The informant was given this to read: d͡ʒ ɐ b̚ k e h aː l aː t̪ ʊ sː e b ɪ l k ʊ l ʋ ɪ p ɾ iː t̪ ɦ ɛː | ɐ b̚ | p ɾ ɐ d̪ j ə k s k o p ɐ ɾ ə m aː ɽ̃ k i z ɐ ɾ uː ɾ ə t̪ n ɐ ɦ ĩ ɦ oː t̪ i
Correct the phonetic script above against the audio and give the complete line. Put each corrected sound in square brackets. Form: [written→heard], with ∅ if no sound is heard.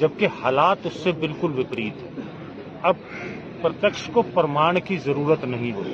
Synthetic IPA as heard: d͡ʒ ɐ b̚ k e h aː l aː t̪ ʊ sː e b ɪ l k ʊ l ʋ ɪ p ɾ iː t̪ ɦ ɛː | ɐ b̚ | p ɾ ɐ [d̪→t̪] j ə k [s→ʃ] k o p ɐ ɾ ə m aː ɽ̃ k i z ɐ ɾ uː ɾ ə t̪ n ɐ ɦ ĩ ɦ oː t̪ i